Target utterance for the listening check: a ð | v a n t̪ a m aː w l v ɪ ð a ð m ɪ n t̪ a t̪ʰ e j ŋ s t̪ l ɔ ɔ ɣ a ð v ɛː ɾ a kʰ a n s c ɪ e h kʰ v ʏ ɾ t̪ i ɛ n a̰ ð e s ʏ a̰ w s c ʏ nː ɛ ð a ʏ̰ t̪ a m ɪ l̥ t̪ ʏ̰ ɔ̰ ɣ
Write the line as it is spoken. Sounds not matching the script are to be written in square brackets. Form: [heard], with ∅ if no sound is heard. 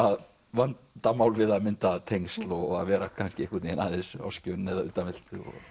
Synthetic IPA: a ð | v a n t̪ a m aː w l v ɪ ð a ð m ɪ n t̪ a t̪ʰ e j ŋ s t̪ l ɔ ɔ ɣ a ð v ɛː ɾ a kʰ a n s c ɪ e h [k] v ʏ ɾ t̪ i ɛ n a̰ ð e s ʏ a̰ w s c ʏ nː ɛ ð a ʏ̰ t̪ a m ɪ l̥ t̪ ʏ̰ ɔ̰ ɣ